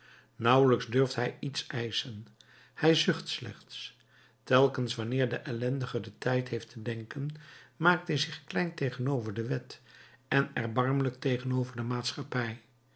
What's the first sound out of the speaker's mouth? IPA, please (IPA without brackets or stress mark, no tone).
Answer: n